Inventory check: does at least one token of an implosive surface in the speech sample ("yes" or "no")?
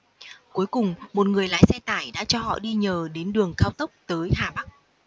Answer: yes